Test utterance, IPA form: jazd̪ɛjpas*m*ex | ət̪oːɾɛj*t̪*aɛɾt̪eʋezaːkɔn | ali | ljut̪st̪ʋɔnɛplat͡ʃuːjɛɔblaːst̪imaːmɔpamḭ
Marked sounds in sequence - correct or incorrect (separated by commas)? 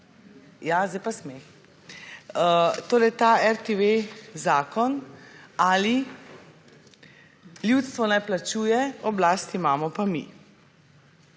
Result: correct, correct